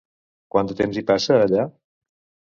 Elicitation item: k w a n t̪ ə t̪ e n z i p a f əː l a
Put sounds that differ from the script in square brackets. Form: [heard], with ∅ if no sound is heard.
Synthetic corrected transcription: k w a n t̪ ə t̪ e [m] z i p a [s] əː [ʎ] a